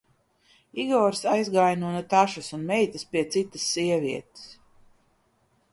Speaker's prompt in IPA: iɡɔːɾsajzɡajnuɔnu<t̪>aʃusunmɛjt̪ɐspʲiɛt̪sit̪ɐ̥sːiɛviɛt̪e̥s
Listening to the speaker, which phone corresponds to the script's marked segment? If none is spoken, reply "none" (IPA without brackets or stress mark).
t̪